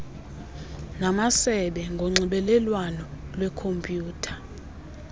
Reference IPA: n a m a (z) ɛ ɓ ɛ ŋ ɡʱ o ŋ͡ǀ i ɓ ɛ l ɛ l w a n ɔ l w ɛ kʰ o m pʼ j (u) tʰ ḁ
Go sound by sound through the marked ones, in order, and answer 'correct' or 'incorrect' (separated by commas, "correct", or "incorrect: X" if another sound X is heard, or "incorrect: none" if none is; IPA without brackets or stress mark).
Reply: incorrect: s, incorrect: uː